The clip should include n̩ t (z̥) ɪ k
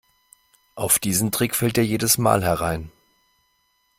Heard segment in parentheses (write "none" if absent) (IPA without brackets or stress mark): ʁ̥